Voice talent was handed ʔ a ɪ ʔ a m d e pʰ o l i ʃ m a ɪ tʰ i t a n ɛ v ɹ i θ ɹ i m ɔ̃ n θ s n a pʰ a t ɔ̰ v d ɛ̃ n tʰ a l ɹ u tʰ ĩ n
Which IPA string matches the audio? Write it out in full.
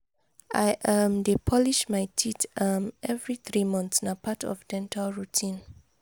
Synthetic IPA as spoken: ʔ a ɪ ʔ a m d e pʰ ɔ l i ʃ m a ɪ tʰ i t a m ɛ v ɹ i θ ɹ i m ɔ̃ n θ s n a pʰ a t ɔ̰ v d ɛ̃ n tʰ a l ɹ u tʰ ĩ n